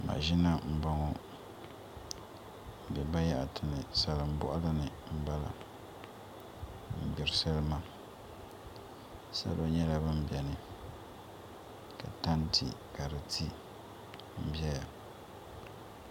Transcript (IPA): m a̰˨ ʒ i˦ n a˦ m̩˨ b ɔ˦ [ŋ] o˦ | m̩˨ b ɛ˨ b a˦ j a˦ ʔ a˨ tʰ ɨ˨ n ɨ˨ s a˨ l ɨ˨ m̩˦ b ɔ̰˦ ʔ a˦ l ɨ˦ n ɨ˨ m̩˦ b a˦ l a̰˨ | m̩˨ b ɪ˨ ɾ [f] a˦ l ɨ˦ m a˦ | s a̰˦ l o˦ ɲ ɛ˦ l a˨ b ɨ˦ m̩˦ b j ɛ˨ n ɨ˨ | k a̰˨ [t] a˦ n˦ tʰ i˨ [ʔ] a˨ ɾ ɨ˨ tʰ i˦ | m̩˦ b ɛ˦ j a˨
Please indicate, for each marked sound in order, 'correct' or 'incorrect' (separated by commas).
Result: correct, incorrect, correct, incorrect